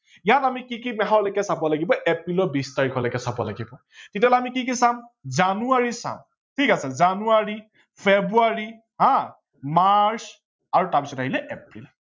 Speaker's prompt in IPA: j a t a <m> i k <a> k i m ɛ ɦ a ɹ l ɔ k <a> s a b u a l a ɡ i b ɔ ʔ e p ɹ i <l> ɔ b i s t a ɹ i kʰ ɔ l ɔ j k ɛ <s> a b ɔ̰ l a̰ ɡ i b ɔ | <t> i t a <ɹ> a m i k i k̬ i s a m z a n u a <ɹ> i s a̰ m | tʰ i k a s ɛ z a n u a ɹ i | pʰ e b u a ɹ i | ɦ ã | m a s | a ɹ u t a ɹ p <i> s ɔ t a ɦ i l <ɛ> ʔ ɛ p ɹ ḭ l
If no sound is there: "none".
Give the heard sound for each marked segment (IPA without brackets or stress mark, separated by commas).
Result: m, i, ɛ, l, s, t, l, ɹ, i, ɛ